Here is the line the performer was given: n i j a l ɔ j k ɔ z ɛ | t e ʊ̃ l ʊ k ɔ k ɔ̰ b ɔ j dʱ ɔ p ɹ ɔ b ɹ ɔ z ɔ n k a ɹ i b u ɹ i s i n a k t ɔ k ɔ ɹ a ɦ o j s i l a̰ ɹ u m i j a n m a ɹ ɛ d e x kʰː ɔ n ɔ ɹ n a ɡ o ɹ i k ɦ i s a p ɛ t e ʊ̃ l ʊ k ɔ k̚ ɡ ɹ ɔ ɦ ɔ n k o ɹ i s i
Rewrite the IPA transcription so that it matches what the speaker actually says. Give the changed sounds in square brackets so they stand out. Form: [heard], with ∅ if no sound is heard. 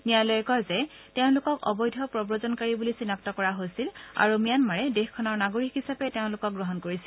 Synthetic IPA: n i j a l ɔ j k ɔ z ɛ | t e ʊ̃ l ʊ k ɔ k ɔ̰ b ɔ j dʱ ɔ p ɹ ɔ b ɹ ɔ z ɔ n k a ɹ i b u [l] i s i n a k t ɔ k ɔ ɹ a ɦ o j s i l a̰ ɹ u m i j a n m a ɹ ɛ d e x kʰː ɔ n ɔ ɹ n a ɡ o ɹ i k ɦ i s a p ɛ t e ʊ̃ l ʊ k ɔ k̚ ɡ ɹ ɔ ɦ ɔ n k o ɹ i s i